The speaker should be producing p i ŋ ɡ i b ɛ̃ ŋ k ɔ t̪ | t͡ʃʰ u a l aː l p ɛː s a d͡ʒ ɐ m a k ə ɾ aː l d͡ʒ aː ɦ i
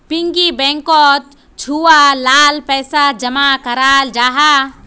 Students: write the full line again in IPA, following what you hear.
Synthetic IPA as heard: p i ŋ ɡ i b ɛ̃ ŋ k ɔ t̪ | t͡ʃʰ u a l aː l p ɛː s a d͡ʒ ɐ m a k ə ɾ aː l d͡ʒ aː ɦ a